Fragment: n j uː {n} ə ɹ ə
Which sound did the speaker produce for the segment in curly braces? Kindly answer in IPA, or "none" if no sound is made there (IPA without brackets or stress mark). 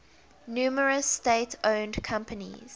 m